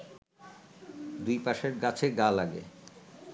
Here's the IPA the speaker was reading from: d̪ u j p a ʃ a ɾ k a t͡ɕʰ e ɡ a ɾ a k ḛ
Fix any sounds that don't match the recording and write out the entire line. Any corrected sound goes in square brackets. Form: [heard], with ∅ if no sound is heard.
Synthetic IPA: d̪ u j p a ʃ [e] ɾ [ɡ] a t͡ɕʰ e ɡ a [l] a [ɡ] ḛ